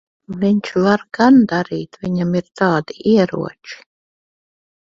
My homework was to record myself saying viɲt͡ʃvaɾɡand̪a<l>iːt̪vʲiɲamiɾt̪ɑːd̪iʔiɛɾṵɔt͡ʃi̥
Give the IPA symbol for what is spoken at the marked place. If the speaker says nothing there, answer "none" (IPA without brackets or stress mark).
ɾ